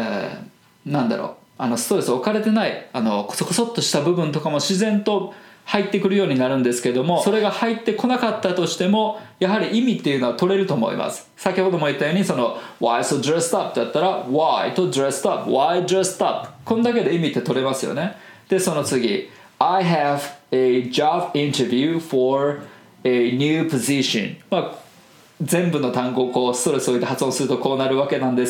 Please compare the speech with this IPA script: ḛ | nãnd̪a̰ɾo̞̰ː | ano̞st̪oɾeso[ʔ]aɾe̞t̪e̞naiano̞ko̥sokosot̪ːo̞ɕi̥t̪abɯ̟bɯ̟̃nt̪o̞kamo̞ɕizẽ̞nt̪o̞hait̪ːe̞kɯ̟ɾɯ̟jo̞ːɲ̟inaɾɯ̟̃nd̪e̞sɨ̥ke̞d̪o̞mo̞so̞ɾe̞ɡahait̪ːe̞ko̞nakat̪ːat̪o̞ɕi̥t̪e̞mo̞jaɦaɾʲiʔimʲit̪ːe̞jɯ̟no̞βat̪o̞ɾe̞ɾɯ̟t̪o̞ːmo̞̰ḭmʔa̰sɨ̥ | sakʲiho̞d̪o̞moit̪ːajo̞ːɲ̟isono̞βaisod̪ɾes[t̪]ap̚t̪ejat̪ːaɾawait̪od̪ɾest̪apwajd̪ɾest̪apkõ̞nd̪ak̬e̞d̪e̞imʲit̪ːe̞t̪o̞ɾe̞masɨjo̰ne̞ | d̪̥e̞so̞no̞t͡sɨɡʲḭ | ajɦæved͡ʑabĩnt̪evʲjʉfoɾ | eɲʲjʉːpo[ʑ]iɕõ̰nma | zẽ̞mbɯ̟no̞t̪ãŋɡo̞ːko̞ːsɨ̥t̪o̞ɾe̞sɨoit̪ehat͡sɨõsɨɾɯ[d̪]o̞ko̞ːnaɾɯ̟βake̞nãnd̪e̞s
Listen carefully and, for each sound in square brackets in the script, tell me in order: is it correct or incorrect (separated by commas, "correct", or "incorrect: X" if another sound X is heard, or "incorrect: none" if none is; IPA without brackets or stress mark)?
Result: incorrect: k, correct, incorrect: z, incorrect: t̪